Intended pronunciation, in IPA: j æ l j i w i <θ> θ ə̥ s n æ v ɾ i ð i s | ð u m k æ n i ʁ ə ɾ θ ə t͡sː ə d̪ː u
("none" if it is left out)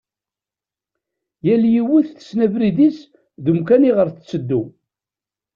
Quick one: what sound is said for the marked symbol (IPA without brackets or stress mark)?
θ